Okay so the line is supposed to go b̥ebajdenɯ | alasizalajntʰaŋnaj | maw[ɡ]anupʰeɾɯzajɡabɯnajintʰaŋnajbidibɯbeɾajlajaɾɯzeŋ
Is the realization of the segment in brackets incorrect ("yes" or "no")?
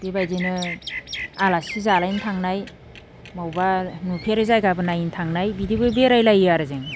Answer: yes